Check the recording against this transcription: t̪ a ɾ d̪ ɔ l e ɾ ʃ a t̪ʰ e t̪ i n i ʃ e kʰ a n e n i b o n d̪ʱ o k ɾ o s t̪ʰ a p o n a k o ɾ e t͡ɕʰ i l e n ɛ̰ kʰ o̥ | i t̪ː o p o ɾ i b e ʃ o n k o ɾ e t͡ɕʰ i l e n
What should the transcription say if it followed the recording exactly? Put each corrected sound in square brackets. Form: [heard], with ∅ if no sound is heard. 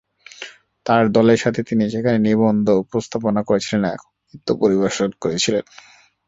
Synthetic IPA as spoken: t̪ a ɾ d̪ ɔ l e ɾ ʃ a t̪ʰ e t̪ i n i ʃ e kʰ a n e n i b o n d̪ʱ o [p] ɾ o s t̪ʰ a p o n a k o ɾ e t͡ɕʰ i l e n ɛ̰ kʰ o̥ | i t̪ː o p o ɾ i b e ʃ o n k o ɾ e t͡ɕʰ i l e n